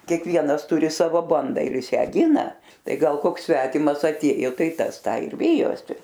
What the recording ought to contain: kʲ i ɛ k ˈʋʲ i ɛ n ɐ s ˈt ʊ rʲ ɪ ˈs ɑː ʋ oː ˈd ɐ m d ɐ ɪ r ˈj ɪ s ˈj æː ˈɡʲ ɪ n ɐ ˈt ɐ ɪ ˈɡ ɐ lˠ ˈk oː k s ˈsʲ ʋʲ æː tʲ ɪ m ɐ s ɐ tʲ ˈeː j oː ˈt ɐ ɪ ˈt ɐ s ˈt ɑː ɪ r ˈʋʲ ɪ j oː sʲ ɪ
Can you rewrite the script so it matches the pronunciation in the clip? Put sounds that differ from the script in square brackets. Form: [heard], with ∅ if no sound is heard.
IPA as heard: kʲ i ɛ k ˈʋʲ i ɛ n ɐ s ˈt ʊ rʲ ɪ ˈs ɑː ʋ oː [ˈb] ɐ [n] d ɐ ɪ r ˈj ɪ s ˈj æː ˈɡʲ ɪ n ɐ ˈt ɐ ɪ ˈɡ ɐ lˠ ˈk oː k s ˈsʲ ʋʲ æː tʲ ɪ m ɐ s ɐ tʲ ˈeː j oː ˈt ɐ ɪ ˈt ɐ s ˈt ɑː ɪ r ˈʋʲ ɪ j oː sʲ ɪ